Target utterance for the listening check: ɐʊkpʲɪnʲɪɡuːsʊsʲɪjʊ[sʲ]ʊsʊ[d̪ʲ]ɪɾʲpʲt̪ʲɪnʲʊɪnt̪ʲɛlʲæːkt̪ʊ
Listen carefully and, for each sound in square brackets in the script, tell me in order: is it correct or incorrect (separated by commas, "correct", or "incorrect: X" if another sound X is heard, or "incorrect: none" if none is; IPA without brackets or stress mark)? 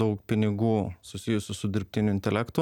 correct, correct